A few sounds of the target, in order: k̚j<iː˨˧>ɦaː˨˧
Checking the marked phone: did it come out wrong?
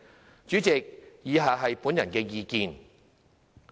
no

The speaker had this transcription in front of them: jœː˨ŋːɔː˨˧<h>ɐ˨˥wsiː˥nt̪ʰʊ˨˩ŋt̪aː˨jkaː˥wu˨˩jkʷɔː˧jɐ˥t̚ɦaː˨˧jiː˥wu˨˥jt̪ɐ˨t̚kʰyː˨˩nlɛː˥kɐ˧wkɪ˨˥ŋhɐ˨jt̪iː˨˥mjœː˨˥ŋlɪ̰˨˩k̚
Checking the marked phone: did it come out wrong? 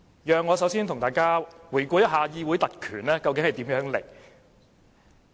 yes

